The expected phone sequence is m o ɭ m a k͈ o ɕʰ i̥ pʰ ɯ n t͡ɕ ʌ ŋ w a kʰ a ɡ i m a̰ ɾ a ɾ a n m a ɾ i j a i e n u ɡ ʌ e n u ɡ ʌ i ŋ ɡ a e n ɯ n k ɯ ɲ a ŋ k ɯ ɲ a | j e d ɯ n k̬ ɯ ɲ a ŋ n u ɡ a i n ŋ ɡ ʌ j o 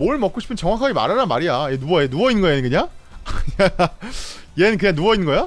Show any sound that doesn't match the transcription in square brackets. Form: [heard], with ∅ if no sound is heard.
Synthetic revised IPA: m o ɭ m [ʌ] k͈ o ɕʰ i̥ pʰ ɯ n t͡ɕ ʌ ŋ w a kʰ a ɡ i m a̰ ɾ a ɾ a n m a ɾ i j a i e n u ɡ ʌ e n u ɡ ʌ i [n] ɡ [ʌ] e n ɯ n k ɯ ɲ a ŋ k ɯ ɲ a | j e [n] ɯ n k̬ ɯ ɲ a ŋ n u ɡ [ʌ] i n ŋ ɡ ʌ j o